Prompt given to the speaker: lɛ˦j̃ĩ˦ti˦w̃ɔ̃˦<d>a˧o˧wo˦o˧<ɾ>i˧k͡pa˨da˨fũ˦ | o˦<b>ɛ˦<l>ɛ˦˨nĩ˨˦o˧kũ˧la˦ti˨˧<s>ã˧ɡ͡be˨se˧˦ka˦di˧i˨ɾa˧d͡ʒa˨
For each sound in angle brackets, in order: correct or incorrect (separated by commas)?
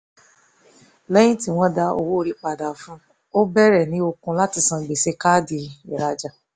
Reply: correct, correct, correct, incorrect, correct